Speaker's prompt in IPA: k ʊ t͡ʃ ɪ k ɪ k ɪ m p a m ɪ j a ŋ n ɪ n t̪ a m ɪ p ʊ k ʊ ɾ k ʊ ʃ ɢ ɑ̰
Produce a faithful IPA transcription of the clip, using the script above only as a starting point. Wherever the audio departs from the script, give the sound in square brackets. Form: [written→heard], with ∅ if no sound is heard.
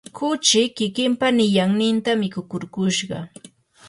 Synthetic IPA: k ʊ t͡ʃ ɪ k ɪ k ɪ m p a [m→n] ɪ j a ŋ n ɪ n t̪ a m ɪ [p→k] ʊ k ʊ ɾ k ʊ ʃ ɢ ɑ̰